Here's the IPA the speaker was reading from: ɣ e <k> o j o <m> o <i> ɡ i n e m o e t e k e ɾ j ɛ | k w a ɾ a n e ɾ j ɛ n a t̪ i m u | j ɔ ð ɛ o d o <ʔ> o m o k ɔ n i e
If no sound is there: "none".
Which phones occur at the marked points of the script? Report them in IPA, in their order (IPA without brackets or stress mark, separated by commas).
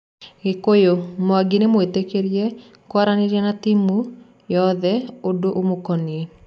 k, m, a, ʔ